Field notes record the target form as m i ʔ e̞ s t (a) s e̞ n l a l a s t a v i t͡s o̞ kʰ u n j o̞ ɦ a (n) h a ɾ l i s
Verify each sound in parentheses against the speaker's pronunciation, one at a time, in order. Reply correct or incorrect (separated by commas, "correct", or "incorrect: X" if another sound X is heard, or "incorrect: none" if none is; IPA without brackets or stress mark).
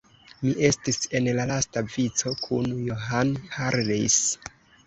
incorrect: i, correct